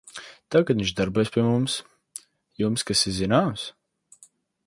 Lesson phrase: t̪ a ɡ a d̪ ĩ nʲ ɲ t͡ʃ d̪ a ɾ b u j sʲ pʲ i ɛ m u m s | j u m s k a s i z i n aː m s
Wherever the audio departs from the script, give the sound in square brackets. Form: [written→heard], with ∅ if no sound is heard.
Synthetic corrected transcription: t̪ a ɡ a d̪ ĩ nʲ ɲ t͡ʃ d̪ a ɾ b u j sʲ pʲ i ɛ m u m s | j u m s k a s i z i n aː m s